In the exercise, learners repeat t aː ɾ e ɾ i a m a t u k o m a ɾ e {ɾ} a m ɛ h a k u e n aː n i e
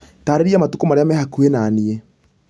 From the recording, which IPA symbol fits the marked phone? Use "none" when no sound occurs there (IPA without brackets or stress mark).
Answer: none